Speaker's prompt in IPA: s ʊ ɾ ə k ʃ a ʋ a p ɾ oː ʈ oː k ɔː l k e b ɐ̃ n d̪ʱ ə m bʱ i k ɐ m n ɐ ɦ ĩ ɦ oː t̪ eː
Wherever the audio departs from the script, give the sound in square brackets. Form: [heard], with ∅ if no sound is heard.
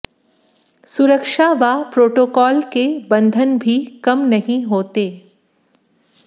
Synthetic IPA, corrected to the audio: s ʊ ɾ ə k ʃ a ʋ a p ɾ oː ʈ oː k ɔː l k e b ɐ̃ n d̪ʱ ə [n] bʱ i k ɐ m n ɐ ɦ ĩ ɦ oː t̪ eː